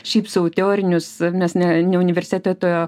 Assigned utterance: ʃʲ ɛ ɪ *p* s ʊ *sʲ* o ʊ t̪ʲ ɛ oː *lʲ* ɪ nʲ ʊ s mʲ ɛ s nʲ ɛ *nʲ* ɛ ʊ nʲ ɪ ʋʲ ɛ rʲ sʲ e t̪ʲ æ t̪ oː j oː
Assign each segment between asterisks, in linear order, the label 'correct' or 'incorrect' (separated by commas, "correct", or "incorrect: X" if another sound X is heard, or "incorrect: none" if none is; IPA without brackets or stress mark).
correct, incorrect: none, incorrect: ɾʲ, correct